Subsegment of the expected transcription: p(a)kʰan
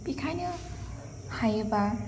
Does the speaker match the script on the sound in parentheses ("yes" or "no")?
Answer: no